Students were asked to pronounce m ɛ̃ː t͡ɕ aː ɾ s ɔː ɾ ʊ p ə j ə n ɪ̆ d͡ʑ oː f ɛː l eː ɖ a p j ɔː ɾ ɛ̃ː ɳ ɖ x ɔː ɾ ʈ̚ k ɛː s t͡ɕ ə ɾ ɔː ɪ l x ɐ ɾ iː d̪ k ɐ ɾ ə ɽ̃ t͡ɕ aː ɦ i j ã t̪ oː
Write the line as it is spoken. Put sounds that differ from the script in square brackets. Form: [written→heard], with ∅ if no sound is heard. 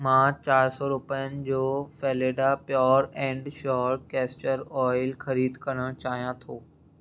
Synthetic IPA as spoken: m [ɛ̃ː→ãː] t͡ɕ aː ɾ s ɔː ɾ ʊ p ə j ə n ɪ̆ d͡ʑ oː f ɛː l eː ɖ a p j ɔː ɾ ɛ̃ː ɳ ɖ [x→ʃ] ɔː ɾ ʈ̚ k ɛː s t͡ɕ ə ɾ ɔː ɪ l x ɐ ɾ iː d̪ k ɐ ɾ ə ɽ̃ t͡ɕ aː ɦ i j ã [t̪→t̪ʰ] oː